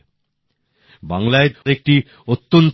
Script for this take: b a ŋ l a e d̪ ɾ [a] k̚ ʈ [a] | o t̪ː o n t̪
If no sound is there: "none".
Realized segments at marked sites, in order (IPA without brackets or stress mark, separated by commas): e, i